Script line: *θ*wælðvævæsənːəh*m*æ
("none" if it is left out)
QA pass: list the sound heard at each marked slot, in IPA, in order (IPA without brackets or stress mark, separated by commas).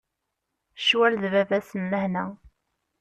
ʃ, n